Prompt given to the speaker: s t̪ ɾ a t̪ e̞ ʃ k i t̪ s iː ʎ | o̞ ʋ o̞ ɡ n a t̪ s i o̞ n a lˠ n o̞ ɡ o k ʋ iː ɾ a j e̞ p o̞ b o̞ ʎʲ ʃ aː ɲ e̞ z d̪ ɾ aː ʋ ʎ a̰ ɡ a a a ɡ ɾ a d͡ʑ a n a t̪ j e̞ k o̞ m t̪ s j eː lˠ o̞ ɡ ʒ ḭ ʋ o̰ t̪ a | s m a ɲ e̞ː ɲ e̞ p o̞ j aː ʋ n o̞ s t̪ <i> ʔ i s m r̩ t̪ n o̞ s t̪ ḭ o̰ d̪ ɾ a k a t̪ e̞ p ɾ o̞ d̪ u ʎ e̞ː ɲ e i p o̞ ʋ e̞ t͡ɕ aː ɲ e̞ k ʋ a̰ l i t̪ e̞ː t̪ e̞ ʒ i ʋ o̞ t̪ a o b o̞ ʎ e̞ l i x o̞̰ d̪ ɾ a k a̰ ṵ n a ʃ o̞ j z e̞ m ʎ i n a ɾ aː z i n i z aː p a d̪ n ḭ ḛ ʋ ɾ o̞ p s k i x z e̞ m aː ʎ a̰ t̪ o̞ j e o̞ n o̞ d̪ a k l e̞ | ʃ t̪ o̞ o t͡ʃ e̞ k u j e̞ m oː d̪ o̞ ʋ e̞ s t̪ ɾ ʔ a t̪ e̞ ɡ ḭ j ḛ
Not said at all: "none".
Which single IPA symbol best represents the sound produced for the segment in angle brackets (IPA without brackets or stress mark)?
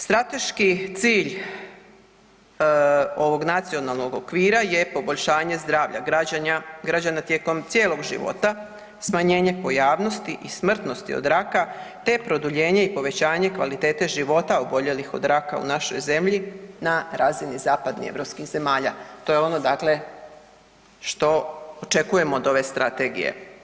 i